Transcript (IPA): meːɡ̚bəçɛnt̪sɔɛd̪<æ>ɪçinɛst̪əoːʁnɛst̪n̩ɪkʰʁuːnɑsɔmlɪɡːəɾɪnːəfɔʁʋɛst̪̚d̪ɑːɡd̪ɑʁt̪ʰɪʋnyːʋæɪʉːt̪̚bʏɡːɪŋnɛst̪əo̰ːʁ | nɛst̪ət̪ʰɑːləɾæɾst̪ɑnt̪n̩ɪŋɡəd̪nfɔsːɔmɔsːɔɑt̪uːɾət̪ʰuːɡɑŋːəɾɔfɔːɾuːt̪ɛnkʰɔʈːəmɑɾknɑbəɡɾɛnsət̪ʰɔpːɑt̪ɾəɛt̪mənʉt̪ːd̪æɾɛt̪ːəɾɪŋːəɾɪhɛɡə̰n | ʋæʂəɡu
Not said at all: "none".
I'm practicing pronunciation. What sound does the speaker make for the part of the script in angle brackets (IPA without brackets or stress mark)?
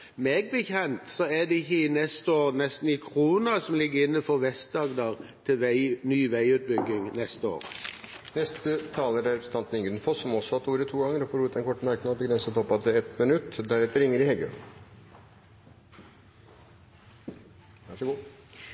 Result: ɛ